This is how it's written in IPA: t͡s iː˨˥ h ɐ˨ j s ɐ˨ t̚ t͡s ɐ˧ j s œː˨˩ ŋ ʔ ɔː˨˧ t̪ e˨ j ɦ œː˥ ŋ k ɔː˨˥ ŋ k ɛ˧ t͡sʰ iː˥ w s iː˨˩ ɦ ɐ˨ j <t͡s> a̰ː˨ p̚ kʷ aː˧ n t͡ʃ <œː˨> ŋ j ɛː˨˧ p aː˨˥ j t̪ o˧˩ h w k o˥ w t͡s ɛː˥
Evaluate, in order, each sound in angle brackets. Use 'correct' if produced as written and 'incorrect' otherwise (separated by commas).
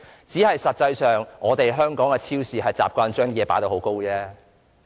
correct, incorrect